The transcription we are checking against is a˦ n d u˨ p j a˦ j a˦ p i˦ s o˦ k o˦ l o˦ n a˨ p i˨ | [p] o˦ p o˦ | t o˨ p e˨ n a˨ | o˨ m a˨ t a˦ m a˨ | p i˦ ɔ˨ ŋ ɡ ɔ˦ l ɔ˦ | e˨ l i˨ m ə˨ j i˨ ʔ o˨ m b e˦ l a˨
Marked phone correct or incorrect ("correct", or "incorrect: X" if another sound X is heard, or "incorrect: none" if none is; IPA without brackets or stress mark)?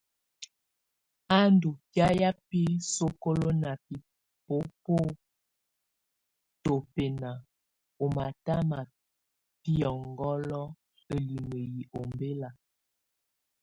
correct